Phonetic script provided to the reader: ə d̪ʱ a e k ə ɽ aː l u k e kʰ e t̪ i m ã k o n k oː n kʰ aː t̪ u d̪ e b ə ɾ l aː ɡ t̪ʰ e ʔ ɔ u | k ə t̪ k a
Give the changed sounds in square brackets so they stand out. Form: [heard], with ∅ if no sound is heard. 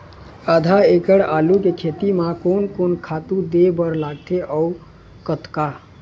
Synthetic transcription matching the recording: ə d̪ʱ a e k ə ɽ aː l u k e kʰ e t̪ i m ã k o n k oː n kʰ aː t̪ u d̪ e b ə ɾ l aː ɡ t̪ʰ e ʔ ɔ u | k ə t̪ k a

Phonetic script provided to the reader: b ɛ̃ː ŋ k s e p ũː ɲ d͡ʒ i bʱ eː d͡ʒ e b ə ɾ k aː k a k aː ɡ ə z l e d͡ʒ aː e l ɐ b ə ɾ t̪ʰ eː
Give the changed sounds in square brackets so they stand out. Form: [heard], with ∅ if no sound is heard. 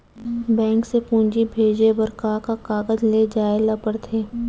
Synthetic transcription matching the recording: b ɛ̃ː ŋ k s e p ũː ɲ d͡ʒ i bʱ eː d͡ʒ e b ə ɾ k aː k a k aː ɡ ə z l e d͡ʒ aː e l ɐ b ə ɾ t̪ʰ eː

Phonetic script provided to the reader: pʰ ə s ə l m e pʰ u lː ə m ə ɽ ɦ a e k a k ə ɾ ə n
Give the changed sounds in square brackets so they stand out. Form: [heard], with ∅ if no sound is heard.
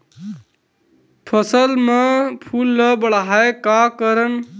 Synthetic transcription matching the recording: pʰ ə s ə l m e pʰ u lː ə [b] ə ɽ ɦ a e k a k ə ɾ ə n

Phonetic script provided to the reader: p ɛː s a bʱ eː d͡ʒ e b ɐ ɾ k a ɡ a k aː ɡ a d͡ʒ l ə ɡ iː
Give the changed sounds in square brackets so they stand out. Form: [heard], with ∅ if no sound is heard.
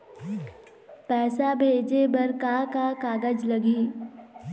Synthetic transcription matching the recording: p ɛː s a bʱ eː d͡ʒ e b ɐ ɾ k a [k] a k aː ɡ [ə] d͡ʒ l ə ɡ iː

